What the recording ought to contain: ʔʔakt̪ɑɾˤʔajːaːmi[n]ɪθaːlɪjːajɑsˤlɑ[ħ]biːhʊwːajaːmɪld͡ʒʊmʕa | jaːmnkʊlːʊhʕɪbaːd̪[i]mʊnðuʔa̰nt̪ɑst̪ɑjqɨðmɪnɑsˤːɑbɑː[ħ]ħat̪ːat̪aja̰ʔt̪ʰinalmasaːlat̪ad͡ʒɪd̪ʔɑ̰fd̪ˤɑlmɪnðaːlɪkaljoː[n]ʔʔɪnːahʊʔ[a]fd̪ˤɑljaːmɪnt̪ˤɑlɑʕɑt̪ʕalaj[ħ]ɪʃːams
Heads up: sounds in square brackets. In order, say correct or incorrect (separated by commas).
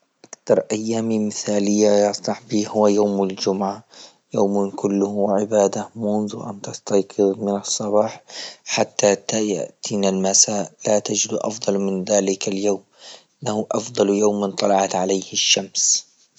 incorrect, correct, incorrect, correct, incorrect, incorrect, incorrect